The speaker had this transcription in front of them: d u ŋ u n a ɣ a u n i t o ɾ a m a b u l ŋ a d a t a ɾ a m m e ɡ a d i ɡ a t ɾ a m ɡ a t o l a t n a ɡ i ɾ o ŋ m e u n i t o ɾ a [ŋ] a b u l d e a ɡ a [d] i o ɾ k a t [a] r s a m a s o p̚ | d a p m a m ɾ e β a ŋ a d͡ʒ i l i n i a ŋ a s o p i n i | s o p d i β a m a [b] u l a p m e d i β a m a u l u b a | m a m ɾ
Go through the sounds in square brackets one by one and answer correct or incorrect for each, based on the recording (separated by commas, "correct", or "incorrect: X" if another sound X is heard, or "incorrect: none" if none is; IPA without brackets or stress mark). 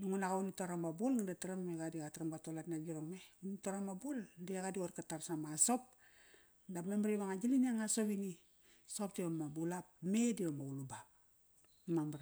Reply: incorrect: m, correct, correct, correct